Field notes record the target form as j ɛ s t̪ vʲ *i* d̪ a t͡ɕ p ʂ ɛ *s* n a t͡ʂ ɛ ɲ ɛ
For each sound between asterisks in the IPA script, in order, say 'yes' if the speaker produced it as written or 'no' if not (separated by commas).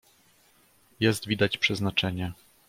yes, no